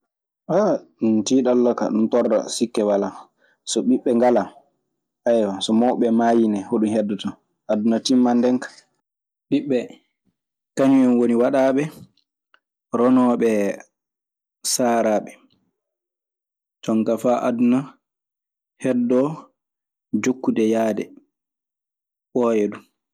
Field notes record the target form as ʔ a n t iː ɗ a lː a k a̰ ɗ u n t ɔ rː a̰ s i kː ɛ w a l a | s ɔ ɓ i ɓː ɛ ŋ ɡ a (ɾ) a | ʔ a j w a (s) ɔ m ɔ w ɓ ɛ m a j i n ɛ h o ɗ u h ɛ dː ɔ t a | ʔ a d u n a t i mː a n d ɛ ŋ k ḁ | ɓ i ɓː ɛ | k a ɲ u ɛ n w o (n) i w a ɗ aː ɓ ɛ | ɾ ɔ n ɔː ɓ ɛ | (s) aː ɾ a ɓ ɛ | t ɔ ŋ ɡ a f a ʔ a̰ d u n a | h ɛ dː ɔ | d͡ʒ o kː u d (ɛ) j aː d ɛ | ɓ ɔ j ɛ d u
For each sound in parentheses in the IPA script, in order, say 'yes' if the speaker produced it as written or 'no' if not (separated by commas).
no, yes, yes, yes, yes